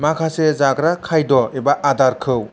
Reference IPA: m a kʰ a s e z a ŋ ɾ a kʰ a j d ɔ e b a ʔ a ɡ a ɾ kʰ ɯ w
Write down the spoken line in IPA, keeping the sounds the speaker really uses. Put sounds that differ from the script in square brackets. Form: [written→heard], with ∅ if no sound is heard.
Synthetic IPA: m a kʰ a s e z a [ŋ→ɡ] ɾ a kʰ a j d ɔ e b a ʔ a [ɡ→d] a ɾ kʰ ɯ w